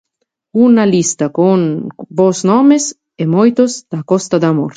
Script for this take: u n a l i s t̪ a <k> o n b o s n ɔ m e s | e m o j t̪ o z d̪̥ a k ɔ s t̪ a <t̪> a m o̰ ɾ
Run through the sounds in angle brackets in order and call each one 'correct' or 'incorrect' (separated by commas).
correct, incorrect